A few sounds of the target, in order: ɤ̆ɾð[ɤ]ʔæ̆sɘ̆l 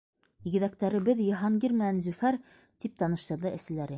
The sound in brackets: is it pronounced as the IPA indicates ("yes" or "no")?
yes